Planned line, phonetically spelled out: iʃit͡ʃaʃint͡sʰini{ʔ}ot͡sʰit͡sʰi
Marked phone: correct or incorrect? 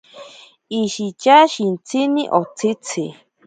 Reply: correct